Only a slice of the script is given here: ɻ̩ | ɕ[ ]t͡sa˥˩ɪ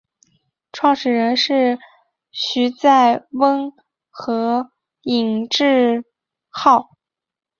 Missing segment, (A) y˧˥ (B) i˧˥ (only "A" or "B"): A